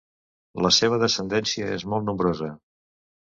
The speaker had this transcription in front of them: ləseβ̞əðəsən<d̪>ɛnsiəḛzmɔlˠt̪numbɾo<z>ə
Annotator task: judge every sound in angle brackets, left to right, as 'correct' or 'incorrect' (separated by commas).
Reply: correct, correct